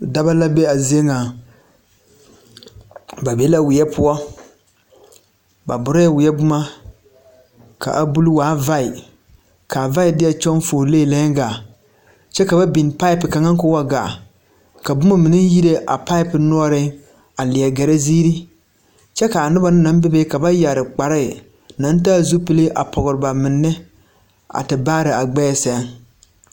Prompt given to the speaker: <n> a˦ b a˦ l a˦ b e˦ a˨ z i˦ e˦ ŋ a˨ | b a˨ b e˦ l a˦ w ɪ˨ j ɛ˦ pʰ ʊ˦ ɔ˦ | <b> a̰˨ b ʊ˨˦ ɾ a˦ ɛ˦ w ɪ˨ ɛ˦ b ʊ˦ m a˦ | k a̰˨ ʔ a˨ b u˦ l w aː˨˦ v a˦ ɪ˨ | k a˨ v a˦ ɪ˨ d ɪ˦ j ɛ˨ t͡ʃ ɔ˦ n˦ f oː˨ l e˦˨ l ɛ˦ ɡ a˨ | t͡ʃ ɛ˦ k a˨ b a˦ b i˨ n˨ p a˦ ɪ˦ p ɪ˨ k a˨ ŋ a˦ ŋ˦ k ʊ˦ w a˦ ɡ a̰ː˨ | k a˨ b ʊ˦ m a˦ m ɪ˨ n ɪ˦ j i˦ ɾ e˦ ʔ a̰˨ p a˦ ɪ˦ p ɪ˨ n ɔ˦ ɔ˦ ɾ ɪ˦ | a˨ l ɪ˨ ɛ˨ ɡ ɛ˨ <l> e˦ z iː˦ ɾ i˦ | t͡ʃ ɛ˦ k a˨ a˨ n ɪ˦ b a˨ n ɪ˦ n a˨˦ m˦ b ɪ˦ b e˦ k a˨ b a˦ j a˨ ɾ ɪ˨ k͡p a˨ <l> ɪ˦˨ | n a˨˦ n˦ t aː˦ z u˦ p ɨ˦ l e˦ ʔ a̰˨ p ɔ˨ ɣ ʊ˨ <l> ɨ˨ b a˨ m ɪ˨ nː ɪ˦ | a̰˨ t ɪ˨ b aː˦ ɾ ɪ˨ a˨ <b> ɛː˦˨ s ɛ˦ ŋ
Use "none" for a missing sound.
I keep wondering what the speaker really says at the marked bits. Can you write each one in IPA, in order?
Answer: d, b, ɾ, ɾ, ɾ, ɡ͡b

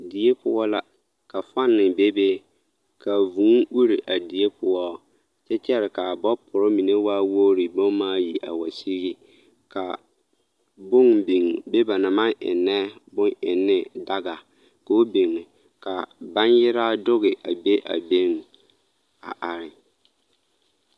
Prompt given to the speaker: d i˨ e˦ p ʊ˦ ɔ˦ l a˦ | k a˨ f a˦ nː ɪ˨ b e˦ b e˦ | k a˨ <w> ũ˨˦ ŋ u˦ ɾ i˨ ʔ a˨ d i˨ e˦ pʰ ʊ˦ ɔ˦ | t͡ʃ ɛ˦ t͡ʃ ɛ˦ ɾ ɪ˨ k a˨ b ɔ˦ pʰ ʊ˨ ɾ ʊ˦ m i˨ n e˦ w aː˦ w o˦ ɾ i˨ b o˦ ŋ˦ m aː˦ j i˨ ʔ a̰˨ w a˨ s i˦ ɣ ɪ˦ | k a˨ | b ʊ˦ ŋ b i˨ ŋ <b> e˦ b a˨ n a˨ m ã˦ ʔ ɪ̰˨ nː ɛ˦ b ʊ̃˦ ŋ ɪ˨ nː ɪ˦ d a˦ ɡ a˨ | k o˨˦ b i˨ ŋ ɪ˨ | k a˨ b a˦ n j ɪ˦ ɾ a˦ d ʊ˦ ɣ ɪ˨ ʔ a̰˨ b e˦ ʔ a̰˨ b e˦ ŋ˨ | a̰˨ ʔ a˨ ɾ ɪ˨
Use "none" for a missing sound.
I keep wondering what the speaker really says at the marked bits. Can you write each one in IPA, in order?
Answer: v, b

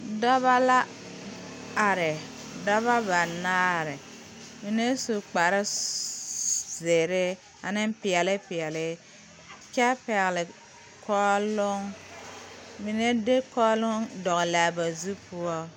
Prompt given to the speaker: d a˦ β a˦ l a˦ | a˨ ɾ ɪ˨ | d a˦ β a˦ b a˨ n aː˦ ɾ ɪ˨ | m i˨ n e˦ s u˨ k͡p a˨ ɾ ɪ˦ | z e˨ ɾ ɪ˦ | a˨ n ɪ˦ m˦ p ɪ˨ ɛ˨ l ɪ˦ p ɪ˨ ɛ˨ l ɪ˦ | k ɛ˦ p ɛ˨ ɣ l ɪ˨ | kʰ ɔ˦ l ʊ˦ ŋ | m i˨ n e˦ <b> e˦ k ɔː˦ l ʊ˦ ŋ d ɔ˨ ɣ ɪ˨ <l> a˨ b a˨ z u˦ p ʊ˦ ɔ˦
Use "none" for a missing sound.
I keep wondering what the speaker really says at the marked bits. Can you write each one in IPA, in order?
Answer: d, l

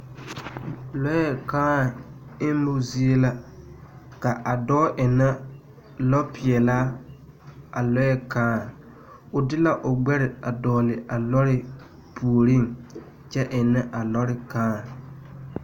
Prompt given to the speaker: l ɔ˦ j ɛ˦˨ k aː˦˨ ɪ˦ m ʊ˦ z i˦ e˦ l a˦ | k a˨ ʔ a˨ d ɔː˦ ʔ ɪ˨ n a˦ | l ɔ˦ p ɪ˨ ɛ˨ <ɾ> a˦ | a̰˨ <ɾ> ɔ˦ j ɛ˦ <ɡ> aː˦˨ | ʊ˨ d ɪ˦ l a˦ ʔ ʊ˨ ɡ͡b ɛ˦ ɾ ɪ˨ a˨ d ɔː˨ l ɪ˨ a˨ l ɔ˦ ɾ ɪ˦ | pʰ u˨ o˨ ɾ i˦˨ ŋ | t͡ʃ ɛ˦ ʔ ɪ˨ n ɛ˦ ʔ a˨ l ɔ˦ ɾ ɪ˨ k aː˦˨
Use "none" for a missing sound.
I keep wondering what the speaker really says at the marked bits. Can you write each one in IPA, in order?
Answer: l, l, k

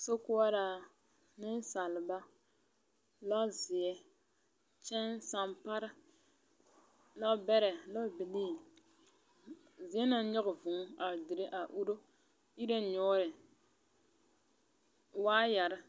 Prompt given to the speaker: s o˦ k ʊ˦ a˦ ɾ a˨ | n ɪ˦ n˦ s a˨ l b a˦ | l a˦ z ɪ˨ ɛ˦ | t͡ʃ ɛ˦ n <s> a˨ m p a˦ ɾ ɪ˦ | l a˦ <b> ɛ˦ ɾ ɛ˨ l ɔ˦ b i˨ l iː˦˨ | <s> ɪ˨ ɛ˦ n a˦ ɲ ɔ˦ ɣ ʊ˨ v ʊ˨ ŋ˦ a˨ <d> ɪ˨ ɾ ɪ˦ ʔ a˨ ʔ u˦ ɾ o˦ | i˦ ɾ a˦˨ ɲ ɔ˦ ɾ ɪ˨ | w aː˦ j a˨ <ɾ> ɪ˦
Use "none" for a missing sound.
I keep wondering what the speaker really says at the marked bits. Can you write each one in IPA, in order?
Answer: s, b, z, d, ɾ

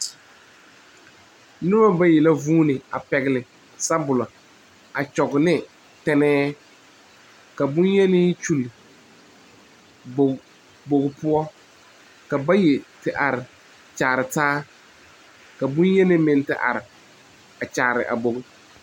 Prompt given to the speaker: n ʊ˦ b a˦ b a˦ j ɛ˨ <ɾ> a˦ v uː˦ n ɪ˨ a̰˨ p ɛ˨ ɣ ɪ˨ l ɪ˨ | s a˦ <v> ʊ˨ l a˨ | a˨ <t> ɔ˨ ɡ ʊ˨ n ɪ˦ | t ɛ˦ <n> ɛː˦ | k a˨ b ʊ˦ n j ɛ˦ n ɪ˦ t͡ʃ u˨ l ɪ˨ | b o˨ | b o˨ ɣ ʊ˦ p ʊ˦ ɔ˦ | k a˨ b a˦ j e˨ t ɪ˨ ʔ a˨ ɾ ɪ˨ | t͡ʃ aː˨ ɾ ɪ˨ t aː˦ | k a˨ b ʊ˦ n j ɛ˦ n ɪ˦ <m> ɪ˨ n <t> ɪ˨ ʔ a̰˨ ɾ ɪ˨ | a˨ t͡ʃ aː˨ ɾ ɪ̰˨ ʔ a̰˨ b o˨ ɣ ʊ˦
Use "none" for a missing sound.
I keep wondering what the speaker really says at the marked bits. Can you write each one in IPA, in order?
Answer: l, b, t͡ʃ, n, m, t

